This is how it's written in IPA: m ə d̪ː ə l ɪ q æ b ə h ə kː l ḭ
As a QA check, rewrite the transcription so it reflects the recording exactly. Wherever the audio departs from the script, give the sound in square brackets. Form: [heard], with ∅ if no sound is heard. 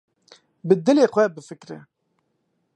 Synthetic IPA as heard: [b] ə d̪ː ə l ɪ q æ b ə [f] ə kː [ɾ] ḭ